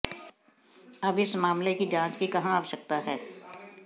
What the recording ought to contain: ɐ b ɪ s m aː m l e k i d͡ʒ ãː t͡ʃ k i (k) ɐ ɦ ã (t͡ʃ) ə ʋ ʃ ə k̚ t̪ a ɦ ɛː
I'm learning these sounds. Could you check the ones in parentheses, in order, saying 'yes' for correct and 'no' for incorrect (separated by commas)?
yes, no